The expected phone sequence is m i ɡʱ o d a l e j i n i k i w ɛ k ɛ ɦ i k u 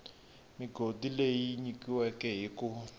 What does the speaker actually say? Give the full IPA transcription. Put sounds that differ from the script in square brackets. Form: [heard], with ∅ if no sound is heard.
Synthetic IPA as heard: m i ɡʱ o d [i] l e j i [ɲ] i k i w ɛ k ɛ ɦ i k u